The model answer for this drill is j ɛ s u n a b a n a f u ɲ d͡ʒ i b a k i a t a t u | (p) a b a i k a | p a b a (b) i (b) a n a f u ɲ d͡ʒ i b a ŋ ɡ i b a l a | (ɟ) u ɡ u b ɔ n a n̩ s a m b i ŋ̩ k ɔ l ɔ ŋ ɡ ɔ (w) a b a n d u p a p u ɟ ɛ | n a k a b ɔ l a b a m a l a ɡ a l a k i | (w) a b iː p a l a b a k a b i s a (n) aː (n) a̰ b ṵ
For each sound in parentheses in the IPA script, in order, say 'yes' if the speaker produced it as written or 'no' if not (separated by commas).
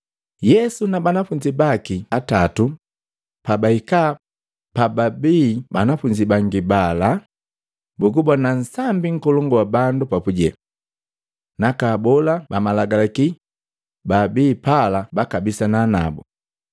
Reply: yes, yes, yes, no, yes, no, yes, yes